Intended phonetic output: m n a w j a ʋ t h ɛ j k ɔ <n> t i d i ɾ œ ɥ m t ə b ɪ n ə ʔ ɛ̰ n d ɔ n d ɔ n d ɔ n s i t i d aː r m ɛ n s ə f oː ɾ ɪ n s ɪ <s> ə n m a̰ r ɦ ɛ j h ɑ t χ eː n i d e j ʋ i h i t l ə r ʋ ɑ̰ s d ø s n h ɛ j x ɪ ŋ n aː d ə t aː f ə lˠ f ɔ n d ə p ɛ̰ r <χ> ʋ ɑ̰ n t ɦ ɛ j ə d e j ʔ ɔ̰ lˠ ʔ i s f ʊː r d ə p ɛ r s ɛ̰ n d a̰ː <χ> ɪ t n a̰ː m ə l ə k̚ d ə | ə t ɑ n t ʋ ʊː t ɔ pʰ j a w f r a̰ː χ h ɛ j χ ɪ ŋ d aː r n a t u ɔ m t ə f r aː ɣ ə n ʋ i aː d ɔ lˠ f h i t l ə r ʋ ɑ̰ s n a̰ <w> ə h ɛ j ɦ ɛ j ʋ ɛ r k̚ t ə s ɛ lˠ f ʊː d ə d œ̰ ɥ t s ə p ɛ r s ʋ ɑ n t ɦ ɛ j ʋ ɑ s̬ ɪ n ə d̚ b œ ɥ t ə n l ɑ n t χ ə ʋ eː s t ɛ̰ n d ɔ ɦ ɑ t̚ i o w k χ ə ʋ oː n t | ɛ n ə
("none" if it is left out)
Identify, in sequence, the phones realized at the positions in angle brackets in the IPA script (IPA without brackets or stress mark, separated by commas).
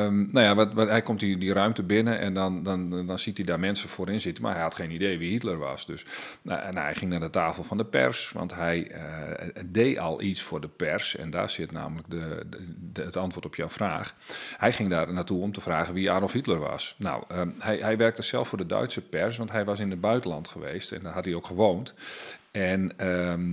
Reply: m, t, s, s, w